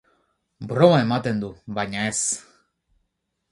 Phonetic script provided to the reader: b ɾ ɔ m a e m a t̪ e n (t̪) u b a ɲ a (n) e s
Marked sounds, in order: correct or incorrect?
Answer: incorrect: d̪, incorrect: none

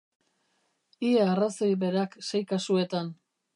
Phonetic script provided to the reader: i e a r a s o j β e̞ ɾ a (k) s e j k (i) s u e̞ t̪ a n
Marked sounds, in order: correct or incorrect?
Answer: correct, incorrect: a

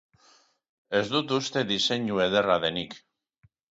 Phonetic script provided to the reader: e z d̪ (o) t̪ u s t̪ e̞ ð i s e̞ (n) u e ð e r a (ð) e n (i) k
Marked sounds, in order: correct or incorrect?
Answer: incorrect: u, incorrect: ɲ, correct, correct

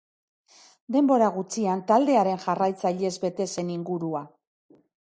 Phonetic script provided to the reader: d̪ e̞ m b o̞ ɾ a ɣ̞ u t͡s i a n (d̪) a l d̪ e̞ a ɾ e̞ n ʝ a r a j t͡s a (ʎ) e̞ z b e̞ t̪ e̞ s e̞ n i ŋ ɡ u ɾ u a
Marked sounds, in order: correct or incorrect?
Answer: incorrect: t̪, correct

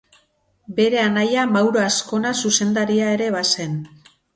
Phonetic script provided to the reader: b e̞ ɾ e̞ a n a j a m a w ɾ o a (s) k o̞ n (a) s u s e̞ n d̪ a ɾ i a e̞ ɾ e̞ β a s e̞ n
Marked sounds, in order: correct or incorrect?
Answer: correct, correct

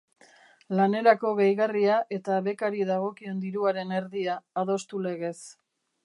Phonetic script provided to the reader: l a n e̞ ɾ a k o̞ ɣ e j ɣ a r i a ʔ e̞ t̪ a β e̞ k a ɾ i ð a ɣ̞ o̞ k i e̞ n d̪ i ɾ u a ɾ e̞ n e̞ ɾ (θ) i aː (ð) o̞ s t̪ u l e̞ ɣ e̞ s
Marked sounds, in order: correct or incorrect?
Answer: incorrect: ð, correct

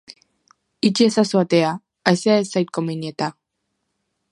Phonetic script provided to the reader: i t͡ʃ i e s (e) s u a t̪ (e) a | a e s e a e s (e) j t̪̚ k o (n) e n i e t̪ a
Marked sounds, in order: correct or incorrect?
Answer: incorrect: a, correct, incorrect: a, incorrect: m

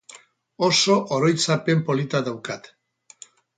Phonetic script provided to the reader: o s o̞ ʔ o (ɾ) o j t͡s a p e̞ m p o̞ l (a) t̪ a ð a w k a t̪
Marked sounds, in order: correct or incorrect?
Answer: correct, incorrect: i

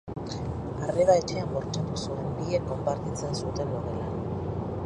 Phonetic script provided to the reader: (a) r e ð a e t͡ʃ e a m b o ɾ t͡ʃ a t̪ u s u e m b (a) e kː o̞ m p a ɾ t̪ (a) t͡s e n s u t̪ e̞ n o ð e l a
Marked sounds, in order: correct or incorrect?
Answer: correct, incorrect: i, incorrect: i

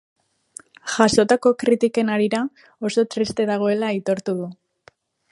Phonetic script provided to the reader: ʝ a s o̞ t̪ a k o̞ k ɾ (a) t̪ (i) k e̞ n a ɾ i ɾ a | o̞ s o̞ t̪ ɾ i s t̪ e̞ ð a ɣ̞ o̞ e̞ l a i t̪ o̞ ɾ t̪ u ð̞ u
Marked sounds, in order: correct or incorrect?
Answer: incorrect: i, correct

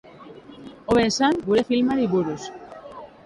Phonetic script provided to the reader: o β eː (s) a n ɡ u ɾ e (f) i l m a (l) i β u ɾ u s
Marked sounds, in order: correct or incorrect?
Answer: correct, correct, incorrect: ɾ

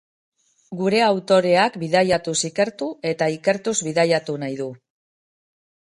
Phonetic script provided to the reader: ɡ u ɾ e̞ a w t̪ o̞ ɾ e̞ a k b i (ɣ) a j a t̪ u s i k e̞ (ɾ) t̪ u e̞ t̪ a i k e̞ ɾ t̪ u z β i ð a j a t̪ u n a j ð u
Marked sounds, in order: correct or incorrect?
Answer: incorrect: ð, correct

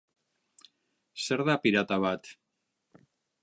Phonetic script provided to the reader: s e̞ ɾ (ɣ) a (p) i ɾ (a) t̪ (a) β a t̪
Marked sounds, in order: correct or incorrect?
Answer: incorrect: ð, correct, correct, correct

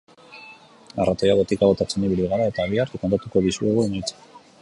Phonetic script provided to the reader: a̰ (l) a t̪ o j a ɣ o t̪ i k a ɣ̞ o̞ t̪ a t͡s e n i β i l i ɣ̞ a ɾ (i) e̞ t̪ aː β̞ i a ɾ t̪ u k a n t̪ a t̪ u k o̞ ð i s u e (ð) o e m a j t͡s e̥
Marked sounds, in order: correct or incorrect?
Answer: incorrect: r, incorrect: a, incorrect: ɣ

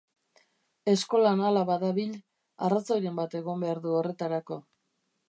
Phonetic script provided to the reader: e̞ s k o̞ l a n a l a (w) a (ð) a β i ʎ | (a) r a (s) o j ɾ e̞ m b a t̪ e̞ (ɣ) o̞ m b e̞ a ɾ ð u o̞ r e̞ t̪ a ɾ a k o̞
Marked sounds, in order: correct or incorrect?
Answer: incorrect: β, correct, correct, incorrect: t͡s, correct

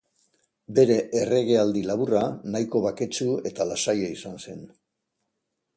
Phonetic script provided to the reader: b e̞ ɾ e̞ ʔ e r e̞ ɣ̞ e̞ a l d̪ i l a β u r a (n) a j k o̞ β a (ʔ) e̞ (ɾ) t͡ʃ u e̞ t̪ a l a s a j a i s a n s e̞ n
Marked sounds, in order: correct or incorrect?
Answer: correct, incorrect: k, incorrect: none

